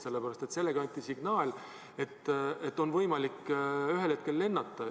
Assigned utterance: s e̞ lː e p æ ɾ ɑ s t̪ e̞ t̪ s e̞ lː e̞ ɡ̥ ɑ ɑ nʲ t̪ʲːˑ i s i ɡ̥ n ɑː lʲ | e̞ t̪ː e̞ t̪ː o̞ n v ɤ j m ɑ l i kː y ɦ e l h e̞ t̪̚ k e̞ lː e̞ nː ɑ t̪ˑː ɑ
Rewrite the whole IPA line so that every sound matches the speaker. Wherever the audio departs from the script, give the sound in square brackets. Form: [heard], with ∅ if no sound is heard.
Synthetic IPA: s e̞ lː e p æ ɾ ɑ s t̪ e̞ t̪ s e̞ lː e̞ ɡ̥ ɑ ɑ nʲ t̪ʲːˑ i s i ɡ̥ n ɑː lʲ | e̞ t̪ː e̞ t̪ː o̞ n v ɤ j m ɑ l i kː y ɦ e l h e̞ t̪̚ k e̞ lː e̞ nː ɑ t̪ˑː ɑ